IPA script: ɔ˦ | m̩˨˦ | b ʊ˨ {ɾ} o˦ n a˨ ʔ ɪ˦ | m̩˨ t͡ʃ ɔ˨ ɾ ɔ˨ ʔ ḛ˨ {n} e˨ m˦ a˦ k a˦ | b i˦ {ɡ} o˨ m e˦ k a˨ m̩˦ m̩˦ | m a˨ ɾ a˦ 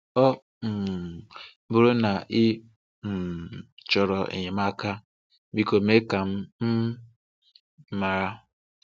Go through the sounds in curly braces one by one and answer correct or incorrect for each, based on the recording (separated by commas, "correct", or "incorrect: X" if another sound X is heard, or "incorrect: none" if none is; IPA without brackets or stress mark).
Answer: correct, incorrect: ɲ, incorrect: k